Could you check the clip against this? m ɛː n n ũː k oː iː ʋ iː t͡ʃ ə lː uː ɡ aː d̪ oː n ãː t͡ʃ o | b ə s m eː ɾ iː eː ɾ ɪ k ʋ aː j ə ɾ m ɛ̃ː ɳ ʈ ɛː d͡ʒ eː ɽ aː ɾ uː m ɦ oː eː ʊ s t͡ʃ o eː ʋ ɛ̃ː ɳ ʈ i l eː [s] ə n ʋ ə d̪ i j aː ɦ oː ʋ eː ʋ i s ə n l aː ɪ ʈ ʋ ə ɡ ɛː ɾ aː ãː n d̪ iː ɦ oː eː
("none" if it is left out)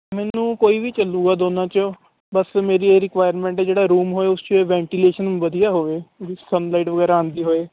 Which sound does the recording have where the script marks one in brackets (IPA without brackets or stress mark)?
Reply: ʃ